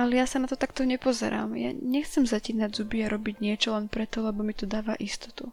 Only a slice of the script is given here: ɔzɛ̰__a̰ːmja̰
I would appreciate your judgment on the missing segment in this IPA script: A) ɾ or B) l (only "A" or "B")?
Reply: A